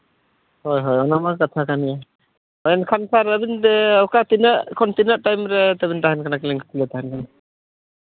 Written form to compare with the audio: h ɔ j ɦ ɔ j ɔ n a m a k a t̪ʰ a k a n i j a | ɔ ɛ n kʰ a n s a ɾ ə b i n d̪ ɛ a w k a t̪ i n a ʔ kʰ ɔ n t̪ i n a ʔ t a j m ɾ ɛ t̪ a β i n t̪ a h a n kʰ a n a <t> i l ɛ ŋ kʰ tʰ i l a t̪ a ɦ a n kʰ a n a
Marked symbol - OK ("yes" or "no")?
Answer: no